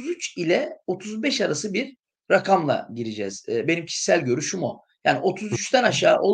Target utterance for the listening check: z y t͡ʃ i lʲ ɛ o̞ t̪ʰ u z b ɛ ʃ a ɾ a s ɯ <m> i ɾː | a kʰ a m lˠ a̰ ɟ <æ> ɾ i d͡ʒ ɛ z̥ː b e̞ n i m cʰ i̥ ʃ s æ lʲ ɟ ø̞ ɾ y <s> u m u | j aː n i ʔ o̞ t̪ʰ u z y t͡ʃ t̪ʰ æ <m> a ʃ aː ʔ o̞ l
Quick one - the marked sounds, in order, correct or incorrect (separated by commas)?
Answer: incorrect, incorrect, incorrect, incorrect